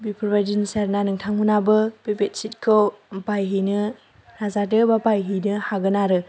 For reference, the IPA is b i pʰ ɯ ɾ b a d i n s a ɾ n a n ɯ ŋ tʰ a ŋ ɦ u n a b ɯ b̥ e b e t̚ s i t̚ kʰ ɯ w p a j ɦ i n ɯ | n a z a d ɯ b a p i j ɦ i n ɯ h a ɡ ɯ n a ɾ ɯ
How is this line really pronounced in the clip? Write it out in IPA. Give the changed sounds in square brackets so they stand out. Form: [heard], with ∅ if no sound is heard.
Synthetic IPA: b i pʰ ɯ ɾ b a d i n s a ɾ n a n ɯ ŋ tʰ a ŋ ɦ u n a b ɯ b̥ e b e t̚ s i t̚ kʰ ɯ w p a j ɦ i n ɯ | n a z a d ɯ b a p [a] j ɦ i n ɯ h a ɡ ɯ n a ɾ ɯ